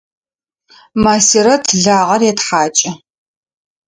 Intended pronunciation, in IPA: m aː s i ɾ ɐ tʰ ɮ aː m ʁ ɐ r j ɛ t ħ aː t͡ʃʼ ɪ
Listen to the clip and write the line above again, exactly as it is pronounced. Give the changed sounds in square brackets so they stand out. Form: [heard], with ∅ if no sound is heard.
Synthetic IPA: m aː s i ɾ ɐ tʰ ɮ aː [∅] ʁ ɐ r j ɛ t ħ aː t͡ʃʼ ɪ